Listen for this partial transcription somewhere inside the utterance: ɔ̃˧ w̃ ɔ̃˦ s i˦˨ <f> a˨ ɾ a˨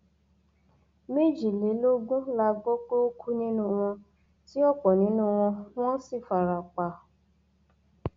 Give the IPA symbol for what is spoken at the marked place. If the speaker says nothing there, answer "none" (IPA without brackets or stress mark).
f